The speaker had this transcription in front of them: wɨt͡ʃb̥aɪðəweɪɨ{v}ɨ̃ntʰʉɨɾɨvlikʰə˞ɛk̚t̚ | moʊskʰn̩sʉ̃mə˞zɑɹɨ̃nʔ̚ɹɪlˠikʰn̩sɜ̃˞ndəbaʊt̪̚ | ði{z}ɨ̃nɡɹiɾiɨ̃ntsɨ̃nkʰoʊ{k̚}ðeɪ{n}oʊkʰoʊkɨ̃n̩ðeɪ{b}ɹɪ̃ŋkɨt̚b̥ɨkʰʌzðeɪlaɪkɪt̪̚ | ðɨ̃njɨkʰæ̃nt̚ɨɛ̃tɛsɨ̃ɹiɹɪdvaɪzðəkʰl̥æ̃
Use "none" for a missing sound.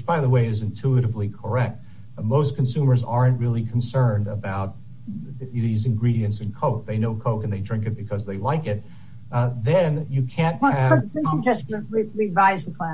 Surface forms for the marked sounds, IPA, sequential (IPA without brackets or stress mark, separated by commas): z, z, k̚, n, d